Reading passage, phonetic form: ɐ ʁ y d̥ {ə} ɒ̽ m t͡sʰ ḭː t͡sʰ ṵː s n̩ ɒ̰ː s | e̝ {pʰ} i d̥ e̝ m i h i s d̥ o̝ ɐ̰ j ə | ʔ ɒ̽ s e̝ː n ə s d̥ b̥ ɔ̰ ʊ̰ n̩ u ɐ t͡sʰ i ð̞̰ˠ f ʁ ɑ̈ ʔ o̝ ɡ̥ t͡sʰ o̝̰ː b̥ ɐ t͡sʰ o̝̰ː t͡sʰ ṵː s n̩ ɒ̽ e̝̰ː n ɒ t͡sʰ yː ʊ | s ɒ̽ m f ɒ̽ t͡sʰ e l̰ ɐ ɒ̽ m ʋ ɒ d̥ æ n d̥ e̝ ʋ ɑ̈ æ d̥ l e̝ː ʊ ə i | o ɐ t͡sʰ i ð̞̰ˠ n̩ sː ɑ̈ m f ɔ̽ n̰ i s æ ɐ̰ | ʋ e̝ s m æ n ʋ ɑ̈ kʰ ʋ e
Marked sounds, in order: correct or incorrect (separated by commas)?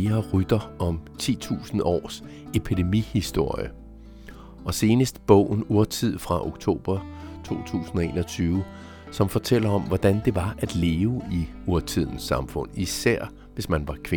incorrect, correct